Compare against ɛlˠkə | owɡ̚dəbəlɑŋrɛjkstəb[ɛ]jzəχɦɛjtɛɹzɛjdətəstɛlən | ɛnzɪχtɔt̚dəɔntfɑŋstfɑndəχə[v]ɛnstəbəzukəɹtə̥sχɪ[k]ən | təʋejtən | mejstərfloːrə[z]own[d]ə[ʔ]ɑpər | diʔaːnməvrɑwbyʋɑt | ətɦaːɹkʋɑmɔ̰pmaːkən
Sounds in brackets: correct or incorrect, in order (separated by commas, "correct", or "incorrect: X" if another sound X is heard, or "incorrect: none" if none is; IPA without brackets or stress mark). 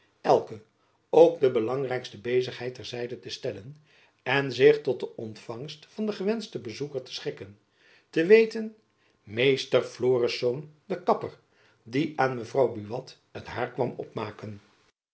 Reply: incorrect: e, incorrect: ʋ, correct, incorrect: s, correct, incorrect: k